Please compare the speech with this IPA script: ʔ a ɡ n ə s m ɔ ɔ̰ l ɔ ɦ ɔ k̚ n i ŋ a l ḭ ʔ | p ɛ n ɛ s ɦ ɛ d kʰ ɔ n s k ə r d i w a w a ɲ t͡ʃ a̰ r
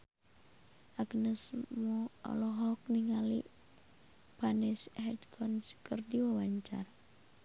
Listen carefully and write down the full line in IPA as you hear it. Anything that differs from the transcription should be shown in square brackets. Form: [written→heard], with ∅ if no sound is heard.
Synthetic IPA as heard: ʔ a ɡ n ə s m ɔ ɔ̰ l ɔ ɦ ɔ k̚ n i ŋ a l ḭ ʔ | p [ɛ→a] n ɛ s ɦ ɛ d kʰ ɔ n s k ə r d i w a w a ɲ t͡ʃ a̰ r